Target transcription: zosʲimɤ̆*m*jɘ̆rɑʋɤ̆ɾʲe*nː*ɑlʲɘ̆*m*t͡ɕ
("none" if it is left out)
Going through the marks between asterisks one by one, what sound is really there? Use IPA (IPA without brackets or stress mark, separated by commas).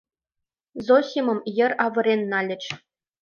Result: m, nː, none